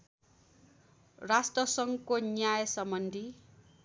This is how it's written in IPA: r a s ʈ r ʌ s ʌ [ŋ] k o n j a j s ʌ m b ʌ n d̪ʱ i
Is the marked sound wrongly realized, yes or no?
no